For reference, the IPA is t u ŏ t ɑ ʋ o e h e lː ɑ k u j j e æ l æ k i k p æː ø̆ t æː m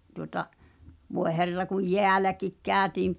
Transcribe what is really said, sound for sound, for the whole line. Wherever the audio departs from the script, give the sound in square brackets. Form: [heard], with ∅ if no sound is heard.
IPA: t u ŏ t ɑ ʋ o e h e [rː] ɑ k u j j e æ l æ k i k [k] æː ø̆ t [iː] m